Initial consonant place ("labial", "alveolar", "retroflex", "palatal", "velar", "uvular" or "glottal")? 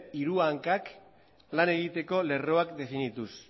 alveolar